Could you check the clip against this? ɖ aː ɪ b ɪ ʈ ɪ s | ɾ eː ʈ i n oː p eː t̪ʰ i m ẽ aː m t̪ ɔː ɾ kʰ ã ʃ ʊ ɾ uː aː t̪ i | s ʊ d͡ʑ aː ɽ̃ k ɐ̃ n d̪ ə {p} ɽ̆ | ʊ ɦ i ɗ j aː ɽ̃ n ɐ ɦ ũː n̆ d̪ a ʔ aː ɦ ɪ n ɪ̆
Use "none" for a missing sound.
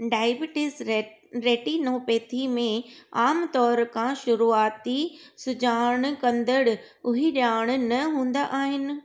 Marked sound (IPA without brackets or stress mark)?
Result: none